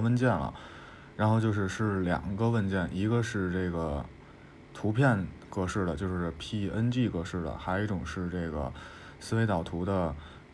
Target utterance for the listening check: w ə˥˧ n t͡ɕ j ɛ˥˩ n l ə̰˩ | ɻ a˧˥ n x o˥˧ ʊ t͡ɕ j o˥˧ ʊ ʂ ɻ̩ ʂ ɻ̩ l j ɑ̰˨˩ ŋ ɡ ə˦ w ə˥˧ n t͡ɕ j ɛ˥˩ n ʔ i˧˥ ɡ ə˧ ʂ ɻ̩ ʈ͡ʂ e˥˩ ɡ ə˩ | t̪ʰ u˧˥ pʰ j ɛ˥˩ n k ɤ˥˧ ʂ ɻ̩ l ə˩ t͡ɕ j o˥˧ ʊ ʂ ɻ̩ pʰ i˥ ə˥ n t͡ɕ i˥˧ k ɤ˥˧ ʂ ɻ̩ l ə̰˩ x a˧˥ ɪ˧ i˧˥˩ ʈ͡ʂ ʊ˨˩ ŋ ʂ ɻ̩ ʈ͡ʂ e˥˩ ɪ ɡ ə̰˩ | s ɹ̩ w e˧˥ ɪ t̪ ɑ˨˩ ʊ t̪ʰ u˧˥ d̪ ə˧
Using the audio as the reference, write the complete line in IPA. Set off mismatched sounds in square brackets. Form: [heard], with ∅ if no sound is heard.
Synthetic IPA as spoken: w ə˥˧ n t͡ɕ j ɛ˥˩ n l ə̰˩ | ɻ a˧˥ n x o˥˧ ʊ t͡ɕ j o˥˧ ʊ ʂ ɻ̩ ʂ ɻ̩ l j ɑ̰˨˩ ŋ ɡ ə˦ w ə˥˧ n t͡ɕ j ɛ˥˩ n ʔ i˧˥ ɡ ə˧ ʂ ɻ̩ ʈ͡ʂ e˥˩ ɡ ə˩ | t̪ʰ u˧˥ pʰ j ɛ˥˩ n k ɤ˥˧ ʂ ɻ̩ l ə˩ t͡ɕ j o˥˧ ʊ ʂ ɻ̩ pʰ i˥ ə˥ n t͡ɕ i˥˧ k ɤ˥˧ ʂ ɻ̩ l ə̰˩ x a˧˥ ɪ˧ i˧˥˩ ʈ͡ʂ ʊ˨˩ ŋ ʂ ɻ̩ ʈ͡ʂ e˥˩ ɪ ɡ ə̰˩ | s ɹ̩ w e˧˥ ɪ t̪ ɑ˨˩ ʊ t̪ʰ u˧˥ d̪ ə˧